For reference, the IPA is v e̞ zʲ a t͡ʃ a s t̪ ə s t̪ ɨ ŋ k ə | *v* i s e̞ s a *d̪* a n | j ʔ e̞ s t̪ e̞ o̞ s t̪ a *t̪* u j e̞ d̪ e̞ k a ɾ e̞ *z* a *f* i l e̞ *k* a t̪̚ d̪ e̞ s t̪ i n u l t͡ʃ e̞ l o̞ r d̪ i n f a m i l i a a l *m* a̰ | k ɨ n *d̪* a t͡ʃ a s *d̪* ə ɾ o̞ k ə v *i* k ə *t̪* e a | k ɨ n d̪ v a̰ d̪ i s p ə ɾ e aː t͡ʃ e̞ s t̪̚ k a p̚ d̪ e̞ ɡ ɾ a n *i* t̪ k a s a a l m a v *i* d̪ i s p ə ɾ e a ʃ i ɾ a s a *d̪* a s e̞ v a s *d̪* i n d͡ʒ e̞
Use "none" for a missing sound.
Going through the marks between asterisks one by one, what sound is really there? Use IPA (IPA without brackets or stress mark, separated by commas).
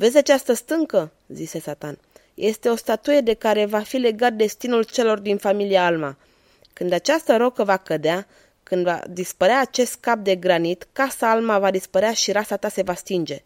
z, t̪, t̪, v, f, ɡ, m, d̪, t̪, a, d̪, i, a, t̪, t̪